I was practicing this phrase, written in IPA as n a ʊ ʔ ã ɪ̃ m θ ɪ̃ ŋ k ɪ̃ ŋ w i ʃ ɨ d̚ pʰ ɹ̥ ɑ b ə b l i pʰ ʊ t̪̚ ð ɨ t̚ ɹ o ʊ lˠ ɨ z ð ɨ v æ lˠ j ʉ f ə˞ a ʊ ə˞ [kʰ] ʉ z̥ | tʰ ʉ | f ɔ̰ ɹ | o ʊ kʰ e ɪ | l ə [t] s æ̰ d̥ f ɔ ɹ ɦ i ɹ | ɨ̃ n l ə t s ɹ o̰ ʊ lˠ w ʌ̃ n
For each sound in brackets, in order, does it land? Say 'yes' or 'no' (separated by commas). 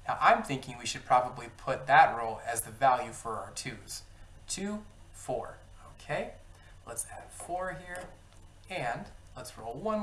no, yes